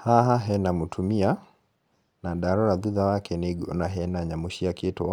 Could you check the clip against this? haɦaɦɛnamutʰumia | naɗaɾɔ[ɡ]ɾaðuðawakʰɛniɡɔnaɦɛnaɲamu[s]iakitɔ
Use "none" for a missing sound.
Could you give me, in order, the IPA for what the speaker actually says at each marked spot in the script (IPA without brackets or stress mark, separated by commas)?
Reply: none, ʃ